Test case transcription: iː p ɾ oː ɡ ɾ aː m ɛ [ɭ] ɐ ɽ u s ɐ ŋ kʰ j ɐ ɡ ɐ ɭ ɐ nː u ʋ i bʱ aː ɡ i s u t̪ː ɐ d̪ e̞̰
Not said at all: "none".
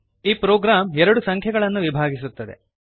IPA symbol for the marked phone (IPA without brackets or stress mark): ɾ